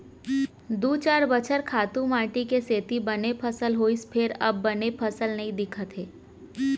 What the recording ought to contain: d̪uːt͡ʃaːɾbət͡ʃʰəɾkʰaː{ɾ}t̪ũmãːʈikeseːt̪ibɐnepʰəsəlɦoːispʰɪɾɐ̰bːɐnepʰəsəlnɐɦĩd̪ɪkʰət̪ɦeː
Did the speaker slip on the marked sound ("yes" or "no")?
yes